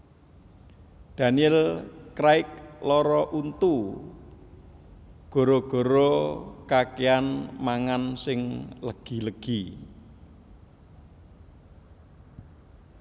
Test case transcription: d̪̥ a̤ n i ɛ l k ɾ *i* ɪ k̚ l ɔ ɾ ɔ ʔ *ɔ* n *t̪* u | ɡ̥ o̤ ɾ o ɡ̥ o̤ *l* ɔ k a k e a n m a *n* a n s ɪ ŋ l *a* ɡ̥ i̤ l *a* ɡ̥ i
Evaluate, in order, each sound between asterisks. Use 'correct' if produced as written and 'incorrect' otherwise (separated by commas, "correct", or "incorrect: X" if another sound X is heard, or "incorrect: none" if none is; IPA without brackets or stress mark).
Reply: incorrect: a, incorrect: u, correct, incorrect: ɾ, incorrect: ŋ, incorrect: ə, incorrect: ə